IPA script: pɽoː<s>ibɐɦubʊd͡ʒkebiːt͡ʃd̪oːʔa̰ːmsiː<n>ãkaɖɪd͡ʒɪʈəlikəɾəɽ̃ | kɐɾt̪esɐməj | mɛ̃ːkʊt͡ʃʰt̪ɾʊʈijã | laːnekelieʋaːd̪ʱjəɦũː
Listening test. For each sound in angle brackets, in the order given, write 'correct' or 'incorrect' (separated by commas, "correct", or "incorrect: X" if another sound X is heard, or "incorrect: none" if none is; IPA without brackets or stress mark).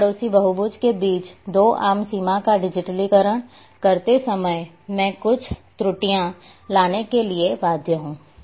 correct, incorrect: m